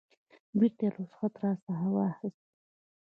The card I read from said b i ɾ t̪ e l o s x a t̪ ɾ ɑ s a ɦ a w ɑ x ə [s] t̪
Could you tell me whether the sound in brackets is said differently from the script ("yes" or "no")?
no